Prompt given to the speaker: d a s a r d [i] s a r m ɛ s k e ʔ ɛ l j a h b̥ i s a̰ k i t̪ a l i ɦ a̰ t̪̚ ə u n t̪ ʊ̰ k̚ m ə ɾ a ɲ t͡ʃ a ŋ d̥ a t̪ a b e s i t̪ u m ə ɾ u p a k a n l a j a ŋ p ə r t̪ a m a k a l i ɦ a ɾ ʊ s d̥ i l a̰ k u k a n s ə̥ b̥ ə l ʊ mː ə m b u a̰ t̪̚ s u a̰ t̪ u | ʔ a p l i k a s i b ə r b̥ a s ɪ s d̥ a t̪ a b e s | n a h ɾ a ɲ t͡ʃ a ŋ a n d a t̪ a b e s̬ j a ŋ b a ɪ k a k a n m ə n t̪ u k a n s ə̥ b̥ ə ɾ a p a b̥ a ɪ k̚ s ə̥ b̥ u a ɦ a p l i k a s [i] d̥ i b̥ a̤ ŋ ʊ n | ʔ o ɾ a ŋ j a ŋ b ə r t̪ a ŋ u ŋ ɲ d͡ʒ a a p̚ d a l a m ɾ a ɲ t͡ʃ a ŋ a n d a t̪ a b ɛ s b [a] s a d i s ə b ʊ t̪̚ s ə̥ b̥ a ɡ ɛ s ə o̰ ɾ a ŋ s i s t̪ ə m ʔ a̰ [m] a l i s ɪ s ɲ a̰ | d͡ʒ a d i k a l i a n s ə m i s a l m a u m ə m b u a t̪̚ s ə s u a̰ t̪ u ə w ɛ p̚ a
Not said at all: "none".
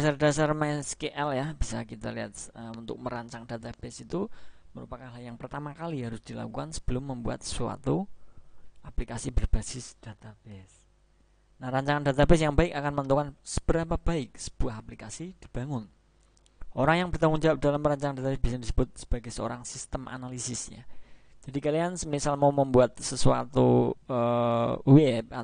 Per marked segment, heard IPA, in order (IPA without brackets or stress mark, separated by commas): a, i, i, n